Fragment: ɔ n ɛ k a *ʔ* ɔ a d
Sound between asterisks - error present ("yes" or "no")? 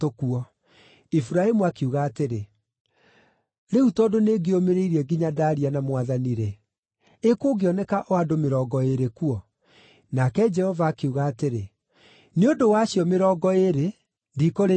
no